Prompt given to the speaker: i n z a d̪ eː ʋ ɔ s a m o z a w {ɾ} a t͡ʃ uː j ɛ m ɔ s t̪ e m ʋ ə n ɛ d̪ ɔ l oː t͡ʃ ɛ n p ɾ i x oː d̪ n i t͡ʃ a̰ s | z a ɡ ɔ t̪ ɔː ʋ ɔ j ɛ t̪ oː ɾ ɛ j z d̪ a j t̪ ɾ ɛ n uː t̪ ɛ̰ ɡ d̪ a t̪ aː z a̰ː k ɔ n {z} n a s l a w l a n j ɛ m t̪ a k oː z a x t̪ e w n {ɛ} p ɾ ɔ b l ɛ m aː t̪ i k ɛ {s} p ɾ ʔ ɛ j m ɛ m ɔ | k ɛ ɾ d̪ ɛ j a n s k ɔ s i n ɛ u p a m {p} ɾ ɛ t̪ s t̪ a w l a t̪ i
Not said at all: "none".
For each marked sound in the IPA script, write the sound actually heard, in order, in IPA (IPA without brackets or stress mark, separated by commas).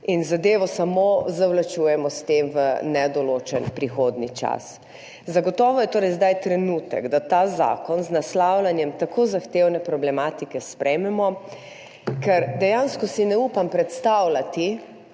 l, z, ɛ, s, p